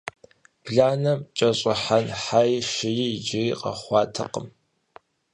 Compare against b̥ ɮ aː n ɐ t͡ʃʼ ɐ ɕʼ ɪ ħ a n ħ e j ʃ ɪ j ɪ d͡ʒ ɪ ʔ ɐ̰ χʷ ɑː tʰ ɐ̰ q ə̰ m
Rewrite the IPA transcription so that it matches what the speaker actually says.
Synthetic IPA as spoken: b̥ ɮ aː n ɐ t͡ʃʼ ɐ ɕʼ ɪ ħ a n ħ a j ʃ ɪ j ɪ d͡ʒ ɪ q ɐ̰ χʷ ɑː tʰ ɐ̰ q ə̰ m

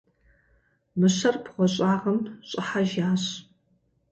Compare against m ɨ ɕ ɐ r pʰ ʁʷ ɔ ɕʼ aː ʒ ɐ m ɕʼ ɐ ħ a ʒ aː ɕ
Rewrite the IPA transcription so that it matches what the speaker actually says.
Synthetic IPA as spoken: m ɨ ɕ ɐ r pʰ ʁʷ ɔ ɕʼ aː ʁ ɐ m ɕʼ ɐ ħ a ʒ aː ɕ

